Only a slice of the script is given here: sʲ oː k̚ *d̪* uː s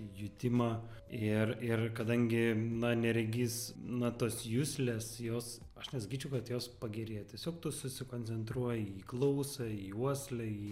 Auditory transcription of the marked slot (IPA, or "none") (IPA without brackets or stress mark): t̪